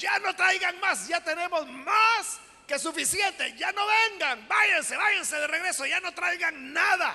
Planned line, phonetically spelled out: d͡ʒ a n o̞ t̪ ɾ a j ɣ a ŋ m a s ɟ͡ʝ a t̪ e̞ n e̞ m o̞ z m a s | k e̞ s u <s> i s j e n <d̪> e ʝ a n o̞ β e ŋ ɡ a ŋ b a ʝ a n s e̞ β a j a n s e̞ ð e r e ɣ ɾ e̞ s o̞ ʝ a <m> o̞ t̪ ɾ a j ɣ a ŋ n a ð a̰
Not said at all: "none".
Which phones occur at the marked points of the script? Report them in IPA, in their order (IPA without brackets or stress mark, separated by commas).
f, t̪, n